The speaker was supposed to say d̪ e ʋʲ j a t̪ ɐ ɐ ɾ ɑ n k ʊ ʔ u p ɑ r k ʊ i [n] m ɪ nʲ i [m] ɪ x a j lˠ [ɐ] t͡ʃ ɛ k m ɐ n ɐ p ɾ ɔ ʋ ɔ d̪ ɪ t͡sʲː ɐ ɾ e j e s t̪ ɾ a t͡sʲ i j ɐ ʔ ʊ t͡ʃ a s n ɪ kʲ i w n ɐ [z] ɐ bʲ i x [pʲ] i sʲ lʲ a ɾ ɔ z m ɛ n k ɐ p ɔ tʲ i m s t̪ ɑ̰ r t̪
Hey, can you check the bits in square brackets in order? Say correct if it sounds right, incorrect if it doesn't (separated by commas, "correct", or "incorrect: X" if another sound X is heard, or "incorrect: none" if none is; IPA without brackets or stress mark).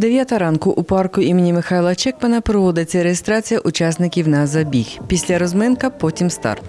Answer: incorrect: none, correct, correct, correct, correct